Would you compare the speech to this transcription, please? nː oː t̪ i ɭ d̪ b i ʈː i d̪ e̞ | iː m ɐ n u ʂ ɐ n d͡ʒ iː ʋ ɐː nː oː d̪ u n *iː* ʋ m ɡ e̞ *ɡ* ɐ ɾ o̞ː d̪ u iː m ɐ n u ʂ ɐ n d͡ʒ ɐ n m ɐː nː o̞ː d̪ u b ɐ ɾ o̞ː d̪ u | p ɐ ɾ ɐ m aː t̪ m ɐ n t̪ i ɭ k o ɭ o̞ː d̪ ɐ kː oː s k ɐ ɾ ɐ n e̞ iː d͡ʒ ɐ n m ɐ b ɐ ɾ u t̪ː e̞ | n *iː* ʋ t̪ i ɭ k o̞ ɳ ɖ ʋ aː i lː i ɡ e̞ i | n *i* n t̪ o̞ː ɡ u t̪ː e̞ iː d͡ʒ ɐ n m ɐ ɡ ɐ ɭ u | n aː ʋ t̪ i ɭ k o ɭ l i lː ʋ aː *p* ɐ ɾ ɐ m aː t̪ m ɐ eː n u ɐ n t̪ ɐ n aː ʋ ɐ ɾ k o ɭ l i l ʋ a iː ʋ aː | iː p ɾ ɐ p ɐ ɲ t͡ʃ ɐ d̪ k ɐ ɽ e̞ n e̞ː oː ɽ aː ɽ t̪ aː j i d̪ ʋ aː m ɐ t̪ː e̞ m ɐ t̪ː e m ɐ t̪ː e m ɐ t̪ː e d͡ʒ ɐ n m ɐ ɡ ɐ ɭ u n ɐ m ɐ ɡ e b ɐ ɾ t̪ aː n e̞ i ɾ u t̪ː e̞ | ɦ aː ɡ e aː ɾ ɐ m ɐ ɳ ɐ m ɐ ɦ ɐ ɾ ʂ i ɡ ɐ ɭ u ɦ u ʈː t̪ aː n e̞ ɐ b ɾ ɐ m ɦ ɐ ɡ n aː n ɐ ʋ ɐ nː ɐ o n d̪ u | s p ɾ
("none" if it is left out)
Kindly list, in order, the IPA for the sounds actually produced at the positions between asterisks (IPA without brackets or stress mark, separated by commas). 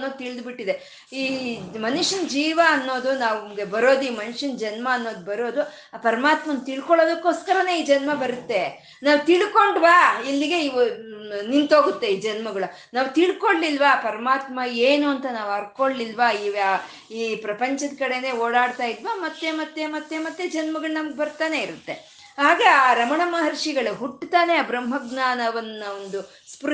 aː, b, aː, i, p